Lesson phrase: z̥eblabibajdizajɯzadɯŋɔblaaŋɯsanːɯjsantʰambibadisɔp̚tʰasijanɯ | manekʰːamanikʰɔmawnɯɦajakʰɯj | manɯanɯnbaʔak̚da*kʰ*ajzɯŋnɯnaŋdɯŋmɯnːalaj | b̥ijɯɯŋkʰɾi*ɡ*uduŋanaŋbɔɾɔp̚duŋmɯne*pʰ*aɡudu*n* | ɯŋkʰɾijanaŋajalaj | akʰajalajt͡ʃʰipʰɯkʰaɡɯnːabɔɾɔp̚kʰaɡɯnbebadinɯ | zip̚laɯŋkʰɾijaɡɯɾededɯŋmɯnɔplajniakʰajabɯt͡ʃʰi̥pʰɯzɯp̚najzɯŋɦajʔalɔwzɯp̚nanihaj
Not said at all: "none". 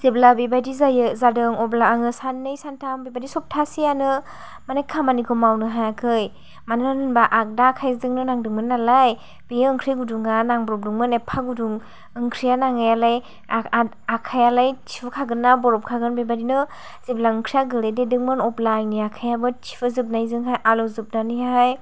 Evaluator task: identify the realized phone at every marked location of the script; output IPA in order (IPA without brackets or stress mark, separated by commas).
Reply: kʰ, ɡ, pʰ, ŋ